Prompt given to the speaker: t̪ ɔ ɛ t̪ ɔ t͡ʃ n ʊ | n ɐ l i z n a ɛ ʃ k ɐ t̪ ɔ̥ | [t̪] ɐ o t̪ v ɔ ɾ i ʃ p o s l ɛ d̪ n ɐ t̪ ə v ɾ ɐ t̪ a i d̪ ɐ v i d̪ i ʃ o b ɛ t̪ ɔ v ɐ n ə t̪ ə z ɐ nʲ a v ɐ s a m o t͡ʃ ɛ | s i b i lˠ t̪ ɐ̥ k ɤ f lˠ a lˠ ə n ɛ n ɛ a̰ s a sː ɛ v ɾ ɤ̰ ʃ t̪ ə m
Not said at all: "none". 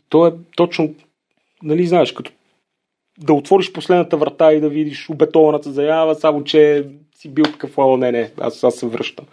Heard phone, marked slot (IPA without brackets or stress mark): d̪